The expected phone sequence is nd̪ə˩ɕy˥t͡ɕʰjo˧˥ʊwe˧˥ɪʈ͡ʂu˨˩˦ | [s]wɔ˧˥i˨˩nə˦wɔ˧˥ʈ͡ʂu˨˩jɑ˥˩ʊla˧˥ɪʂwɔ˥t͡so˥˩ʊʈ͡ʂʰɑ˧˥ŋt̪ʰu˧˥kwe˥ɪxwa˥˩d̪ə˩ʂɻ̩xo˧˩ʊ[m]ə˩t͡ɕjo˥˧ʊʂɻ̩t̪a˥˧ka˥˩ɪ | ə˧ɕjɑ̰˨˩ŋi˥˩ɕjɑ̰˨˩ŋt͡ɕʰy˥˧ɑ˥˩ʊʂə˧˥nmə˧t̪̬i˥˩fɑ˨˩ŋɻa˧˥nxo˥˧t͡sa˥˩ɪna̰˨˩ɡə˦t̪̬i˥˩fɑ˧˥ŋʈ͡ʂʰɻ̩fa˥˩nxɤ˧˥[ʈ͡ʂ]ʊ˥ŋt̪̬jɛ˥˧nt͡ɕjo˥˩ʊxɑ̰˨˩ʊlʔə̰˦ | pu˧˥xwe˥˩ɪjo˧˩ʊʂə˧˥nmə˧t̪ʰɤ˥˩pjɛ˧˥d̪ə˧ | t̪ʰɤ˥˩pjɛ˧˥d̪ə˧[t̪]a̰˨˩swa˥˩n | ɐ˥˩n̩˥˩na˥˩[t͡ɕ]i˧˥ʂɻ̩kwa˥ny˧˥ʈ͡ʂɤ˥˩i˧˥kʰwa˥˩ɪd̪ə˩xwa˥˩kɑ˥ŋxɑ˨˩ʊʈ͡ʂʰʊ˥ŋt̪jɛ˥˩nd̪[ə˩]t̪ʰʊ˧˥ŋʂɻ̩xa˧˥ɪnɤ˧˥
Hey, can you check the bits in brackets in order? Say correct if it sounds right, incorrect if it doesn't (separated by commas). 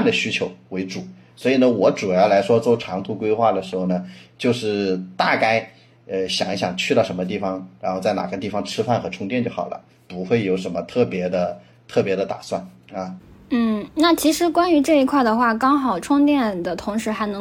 correct, incorrect, incorrect, correct, incorrect, correct